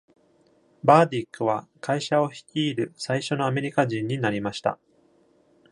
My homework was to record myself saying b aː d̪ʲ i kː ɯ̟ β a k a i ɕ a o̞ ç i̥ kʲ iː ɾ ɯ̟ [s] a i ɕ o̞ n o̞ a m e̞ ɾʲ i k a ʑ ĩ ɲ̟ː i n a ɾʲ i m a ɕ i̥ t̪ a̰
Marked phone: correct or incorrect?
correct